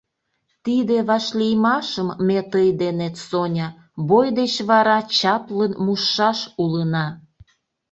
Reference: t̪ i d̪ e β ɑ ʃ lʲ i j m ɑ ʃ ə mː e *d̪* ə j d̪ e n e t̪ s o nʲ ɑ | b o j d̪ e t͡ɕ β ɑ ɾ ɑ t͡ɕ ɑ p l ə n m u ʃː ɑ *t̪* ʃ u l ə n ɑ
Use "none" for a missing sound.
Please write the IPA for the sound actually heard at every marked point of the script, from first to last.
t̪, none

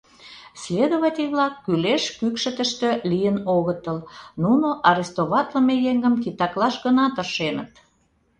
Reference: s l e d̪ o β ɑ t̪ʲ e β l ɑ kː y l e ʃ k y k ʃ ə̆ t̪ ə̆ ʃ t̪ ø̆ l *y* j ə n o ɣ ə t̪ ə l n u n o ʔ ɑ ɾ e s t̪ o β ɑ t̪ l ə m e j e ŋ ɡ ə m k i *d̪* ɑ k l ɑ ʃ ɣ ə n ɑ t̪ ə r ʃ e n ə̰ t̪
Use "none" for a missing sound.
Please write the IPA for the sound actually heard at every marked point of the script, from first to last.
i, t̪

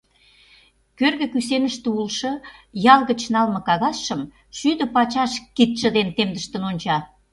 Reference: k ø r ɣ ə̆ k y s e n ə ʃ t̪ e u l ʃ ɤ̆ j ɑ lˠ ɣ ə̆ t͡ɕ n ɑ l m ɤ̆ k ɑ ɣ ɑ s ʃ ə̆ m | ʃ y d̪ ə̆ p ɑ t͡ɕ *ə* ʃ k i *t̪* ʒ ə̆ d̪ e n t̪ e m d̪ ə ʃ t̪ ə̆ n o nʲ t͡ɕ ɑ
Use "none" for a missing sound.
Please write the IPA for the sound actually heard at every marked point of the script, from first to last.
ɑ, t̪

